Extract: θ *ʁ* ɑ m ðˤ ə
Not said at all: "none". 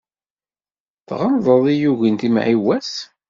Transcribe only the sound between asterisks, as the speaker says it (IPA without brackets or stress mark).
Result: ʁ